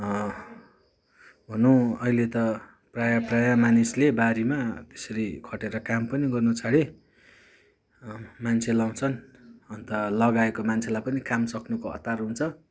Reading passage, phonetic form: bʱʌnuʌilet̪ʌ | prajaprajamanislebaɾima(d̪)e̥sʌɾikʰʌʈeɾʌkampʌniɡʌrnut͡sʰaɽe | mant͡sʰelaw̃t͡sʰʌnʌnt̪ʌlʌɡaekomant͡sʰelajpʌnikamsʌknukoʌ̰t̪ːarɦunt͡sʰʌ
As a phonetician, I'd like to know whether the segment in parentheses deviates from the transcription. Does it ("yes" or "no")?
yes